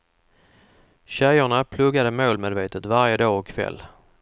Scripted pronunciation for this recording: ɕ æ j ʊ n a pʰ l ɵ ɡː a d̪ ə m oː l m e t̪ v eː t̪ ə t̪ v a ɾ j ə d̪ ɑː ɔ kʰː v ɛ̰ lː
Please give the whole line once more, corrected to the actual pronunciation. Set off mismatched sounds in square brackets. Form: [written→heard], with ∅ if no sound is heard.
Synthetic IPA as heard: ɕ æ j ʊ [n→ɳ] a pʰ l ɵ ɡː a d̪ ə m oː l m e [t̪→d̪] v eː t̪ ə t̪ v a ɾ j ə d̪ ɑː ɔ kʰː v ɛ̰ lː